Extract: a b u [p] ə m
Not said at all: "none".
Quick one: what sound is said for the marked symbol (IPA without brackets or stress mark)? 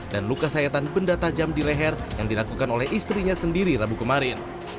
k